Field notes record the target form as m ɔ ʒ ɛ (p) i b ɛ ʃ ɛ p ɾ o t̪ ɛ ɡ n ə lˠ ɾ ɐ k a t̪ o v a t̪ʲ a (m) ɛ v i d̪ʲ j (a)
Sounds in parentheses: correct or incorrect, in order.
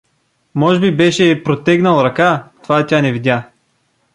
incorrect: b, incorrect: n, correct

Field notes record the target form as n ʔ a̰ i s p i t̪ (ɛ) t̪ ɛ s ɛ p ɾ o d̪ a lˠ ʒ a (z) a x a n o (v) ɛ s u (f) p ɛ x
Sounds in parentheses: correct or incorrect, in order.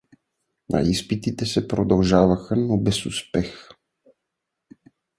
incorrect: i, incorrect: v, incorrect: b, incorrect: s

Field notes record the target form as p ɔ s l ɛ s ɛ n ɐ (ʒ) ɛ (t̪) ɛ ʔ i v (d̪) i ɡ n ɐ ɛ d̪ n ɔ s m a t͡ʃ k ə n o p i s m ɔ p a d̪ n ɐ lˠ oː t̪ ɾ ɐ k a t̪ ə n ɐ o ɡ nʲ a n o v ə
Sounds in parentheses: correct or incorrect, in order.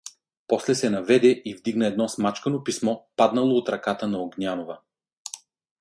incorrect: v, incorrect: d̪, correct

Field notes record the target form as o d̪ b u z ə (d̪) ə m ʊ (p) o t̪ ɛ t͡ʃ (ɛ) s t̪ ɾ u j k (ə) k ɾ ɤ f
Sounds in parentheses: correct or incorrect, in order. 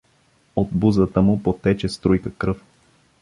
incorrect: t̪, correct, correct, correct

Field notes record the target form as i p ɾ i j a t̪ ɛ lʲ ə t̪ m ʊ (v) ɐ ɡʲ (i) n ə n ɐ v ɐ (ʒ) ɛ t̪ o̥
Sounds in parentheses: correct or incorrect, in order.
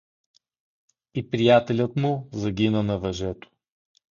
incorrect: z, correct, correct

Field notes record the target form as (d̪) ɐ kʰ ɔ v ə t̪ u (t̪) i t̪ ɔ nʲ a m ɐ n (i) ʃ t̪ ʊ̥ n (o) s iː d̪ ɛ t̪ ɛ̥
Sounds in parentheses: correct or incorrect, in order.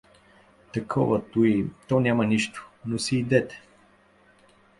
incorrect: t̪, incorrect: none, correct, correct

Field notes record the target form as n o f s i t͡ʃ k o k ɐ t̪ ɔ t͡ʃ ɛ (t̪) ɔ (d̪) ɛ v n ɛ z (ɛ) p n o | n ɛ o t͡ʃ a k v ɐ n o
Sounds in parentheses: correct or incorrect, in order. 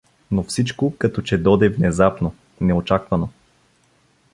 incorrect: d̪, correct, incorrect: a

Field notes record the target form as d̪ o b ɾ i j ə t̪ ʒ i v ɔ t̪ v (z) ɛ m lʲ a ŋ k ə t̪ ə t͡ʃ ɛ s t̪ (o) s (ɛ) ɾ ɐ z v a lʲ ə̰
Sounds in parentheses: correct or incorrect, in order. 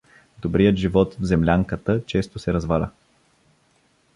correct, correct, correct

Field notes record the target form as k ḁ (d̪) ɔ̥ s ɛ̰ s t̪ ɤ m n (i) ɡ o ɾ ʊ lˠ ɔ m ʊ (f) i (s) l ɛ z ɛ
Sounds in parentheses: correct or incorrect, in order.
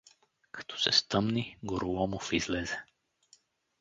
incorrect: t̪, correct, correct, incorrect: z

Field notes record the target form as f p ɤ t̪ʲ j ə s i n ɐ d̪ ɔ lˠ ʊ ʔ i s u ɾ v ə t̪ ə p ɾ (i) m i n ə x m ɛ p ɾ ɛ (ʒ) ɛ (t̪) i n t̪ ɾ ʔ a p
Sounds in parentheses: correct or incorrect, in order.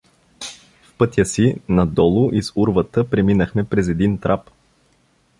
incorrect: ɛ, incorrect: z, incorrect: d̪

